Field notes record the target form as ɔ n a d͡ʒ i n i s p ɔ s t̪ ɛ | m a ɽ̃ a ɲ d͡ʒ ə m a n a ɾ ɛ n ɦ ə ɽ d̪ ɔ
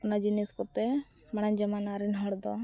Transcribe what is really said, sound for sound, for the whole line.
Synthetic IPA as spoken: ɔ n a d͡ʒ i n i s k ɔ t̪ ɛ | m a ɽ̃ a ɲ d͡ʒ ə m a n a ɾ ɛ n ɦ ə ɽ d̪ ɔ